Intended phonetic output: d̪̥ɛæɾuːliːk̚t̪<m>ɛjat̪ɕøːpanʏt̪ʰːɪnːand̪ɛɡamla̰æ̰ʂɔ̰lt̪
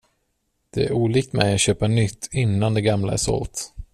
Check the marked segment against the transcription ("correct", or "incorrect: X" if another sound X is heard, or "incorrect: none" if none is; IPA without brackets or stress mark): correct